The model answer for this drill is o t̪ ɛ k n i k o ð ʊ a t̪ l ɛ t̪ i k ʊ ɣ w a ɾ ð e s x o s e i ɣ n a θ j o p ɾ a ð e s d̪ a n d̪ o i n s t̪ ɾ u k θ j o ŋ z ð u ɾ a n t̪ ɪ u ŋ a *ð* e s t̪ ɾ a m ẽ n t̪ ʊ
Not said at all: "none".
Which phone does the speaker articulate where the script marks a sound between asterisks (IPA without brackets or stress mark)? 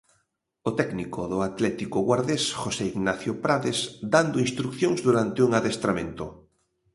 ð